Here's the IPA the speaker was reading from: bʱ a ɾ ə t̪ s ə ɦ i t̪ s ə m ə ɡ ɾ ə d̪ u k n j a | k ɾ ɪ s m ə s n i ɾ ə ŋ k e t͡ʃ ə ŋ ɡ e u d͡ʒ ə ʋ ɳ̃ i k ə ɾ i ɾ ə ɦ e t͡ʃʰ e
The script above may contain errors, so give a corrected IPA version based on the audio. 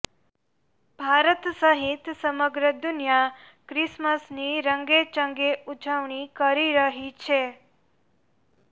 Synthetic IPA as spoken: bʱ a ɾ ə t̪ s ə ɦ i t̪ s ə m ə ɡ ɾ ə d̪ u n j a | k ɾ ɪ s m ə s n i ɾ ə ŋ ɡ e t͡ʃ ə ŋ ɡ e u d͡ʒ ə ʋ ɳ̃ i k ə ɾ i ɾ ə ɦ i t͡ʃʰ e